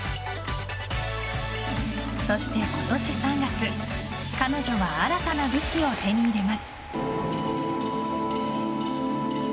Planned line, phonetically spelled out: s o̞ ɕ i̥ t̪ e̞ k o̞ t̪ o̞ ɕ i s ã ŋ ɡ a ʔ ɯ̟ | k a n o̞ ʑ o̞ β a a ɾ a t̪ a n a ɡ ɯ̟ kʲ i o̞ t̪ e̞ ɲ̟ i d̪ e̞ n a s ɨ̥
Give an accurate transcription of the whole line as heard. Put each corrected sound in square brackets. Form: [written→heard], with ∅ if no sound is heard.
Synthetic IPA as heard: s o̞ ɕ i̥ t̪ e̞ k o̞ t̪ o̞ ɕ i s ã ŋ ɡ a [ʔ→k] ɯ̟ | k a n o̞ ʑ o̞ β a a ɾ a t̪ a n a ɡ ɯ̟ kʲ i o̞ t̪ e̞ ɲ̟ i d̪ e̞ [n→m] a s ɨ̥

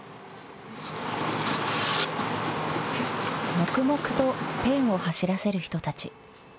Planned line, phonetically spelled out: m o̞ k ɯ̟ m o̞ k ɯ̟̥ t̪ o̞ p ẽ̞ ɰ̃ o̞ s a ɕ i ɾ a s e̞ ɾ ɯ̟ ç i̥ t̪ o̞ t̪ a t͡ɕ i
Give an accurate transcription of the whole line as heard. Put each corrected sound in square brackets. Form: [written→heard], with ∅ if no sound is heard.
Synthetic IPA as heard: m o̞ k ɯ̟ m o̞ k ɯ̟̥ t̪ o̞ p ẽ̞ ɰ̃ o̞ [s→h] a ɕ i ɾ a s e̞ ɾ ɯ̟ ç i̥ t̪ o̞ t̪ a t͡ɕ i

